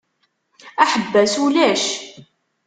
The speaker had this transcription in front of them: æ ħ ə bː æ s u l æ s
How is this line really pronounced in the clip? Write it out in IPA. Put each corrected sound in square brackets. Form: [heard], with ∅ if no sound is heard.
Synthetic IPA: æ ħ ə bː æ s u l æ [ʃ]